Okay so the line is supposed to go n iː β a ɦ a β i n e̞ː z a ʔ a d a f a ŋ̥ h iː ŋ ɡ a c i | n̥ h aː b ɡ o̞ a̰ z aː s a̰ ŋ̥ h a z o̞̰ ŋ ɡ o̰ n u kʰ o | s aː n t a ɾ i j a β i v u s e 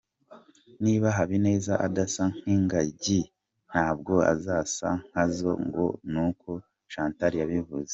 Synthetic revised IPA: n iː β a ɦ a β i n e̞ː z a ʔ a d a s a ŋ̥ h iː ŋ ɡ a ɟ i | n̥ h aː b ɡ o̞ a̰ z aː s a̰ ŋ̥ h a z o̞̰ ŋ ɡ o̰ n u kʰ o | ʃ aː n t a ɾ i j a β i v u z e